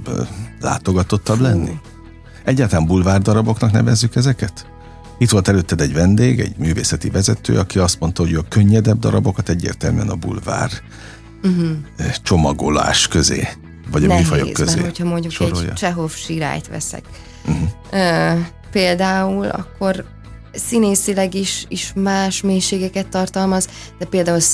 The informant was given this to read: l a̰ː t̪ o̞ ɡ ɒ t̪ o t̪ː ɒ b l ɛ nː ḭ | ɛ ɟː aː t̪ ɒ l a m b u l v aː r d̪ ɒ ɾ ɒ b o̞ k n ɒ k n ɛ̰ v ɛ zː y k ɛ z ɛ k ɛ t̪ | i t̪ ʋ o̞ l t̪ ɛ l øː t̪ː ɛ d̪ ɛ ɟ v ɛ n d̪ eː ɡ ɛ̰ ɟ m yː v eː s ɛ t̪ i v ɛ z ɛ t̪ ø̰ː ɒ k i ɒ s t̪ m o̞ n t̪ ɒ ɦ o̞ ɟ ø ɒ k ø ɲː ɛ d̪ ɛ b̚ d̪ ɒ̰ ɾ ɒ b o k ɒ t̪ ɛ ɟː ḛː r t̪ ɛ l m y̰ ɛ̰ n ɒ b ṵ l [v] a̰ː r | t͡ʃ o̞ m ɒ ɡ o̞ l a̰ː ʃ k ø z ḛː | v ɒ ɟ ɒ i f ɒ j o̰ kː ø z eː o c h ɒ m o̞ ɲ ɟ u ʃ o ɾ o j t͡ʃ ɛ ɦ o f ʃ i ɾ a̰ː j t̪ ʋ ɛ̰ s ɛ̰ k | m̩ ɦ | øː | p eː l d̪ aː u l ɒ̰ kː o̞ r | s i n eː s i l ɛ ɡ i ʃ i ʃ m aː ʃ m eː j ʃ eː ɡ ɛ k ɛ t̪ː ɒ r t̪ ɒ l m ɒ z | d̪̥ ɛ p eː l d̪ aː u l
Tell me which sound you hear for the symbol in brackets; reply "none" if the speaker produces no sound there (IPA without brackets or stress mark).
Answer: v